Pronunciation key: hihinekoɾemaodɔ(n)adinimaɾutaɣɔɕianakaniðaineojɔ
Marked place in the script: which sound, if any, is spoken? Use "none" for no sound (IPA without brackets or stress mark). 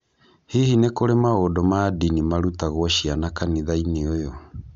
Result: m